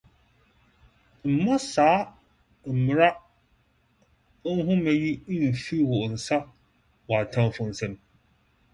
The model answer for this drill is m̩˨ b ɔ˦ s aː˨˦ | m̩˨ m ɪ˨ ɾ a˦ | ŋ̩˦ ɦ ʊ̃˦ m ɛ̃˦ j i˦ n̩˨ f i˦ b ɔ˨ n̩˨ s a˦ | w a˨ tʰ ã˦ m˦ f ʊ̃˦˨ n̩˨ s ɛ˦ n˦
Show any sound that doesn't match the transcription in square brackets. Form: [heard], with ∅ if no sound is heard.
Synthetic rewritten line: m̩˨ [m] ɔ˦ s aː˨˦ | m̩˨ m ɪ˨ ɾ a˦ | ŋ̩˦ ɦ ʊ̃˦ m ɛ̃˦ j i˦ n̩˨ f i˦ [w] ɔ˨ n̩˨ s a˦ | w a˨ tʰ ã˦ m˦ f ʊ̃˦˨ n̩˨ s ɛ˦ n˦